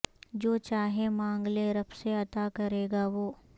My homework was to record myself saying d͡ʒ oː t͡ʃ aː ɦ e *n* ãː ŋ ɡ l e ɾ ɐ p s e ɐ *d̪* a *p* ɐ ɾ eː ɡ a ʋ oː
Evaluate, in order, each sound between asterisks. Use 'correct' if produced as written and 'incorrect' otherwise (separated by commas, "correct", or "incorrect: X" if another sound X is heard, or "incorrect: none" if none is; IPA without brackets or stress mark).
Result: incorrect: m, incorrect: t̪, incorrect: k